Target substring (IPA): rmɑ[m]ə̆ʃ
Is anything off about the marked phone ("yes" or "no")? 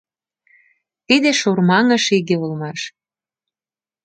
yes